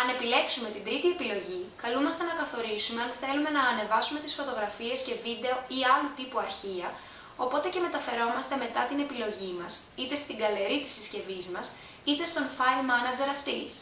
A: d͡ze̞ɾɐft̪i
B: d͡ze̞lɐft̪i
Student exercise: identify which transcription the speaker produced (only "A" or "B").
A